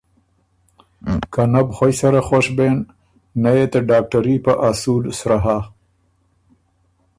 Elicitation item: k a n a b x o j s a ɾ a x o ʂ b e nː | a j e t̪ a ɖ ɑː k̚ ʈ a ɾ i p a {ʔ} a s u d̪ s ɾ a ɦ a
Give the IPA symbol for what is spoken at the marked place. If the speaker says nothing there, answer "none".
ʔ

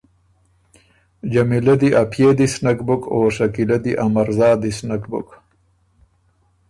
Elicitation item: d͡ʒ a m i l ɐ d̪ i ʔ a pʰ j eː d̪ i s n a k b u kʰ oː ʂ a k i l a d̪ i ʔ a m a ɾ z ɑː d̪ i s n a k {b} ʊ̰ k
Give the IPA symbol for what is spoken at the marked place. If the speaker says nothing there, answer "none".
b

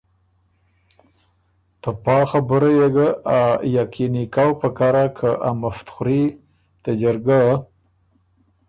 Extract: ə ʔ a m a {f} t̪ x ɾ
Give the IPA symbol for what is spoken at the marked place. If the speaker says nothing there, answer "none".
f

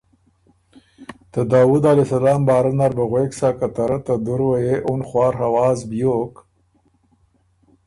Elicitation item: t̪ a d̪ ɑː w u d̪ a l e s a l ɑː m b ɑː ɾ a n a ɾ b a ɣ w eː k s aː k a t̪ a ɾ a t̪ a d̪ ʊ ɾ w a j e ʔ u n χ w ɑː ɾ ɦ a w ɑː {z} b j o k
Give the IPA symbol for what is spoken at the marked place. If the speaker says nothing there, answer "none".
z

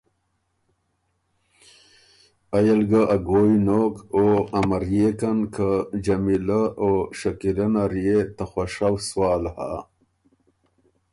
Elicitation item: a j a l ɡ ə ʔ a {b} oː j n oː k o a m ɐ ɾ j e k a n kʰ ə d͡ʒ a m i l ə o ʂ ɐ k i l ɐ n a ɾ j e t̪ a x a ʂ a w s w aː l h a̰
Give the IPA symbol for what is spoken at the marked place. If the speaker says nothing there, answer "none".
ɡ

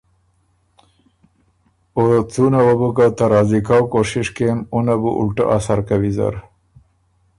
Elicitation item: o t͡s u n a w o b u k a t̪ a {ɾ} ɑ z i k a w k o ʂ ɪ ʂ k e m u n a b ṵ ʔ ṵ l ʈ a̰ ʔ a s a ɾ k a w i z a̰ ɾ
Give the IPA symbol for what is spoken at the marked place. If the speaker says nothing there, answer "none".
ɾ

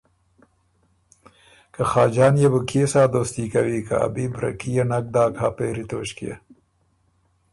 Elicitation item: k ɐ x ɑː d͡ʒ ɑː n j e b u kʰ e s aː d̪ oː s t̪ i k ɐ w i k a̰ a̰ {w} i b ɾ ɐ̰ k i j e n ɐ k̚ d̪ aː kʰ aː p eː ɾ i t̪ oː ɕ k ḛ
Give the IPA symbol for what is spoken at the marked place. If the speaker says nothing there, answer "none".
b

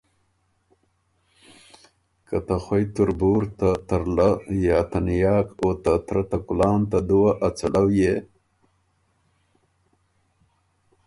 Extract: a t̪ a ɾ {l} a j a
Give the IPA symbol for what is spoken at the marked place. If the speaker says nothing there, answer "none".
l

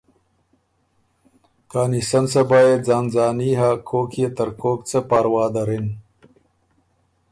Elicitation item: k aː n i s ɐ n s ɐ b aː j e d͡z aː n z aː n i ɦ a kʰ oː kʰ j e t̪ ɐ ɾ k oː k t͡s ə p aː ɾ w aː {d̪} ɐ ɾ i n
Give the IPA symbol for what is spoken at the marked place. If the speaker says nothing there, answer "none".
d̪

